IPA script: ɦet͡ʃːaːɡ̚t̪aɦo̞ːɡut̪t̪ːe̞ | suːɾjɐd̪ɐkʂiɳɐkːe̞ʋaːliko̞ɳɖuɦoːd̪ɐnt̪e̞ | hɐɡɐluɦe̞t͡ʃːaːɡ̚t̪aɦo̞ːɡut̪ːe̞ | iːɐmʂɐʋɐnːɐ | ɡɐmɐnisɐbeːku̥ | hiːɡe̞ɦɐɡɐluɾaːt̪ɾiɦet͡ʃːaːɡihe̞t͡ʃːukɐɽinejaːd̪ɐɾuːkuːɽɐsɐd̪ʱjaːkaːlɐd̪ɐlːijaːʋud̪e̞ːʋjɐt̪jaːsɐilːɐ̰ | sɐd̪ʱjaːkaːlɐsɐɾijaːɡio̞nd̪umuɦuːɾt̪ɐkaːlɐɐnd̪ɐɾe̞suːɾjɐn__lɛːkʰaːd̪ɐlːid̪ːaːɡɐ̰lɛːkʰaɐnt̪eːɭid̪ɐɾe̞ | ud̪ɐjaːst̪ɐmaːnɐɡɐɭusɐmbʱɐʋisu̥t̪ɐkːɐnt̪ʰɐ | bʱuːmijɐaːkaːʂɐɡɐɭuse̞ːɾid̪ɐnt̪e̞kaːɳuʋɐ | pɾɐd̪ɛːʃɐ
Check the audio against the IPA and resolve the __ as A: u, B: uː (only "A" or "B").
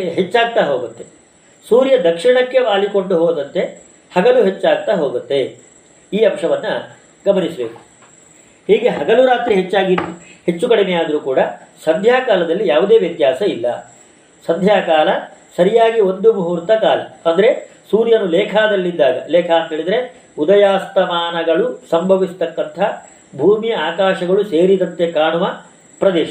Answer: A